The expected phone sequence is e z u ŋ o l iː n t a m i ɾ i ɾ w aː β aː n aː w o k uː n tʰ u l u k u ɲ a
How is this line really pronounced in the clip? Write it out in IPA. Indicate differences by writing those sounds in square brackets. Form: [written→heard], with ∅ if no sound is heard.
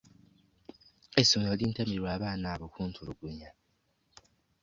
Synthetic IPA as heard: e [z→s] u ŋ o l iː n t a m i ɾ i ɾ w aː β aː n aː [w→β] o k uː n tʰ u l u [k→ɡ] u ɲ a